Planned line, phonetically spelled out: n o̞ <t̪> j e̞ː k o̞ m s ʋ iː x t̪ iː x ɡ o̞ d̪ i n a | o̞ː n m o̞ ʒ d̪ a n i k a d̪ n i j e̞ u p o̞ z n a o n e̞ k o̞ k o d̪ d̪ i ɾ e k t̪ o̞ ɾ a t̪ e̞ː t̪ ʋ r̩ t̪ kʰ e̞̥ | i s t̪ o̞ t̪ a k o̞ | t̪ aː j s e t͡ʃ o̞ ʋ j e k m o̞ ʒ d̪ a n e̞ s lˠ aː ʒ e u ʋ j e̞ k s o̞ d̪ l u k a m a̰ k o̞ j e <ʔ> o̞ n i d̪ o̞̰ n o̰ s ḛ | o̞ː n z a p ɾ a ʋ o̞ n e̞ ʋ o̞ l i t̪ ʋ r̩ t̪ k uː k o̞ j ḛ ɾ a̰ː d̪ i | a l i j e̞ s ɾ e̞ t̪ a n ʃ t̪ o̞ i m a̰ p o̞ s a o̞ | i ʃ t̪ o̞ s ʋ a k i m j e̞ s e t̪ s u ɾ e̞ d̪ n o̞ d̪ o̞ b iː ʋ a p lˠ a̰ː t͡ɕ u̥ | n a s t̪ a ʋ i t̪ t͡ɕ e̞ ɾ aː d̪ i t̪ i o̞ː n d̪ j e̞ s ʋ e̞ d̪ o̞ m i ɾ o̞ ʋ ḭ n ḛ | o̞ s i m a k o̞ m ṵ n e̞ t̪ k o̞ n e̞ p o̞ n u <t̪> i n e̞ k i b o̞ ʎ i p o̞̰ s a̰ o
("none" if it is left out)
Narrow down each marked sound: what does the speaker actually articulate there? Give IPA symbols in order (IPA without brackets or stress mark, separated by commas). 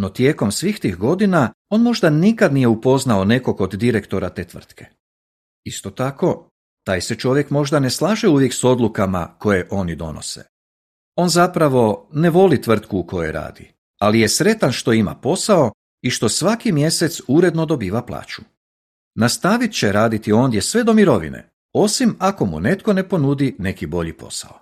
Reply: t̪, ʔ, d̪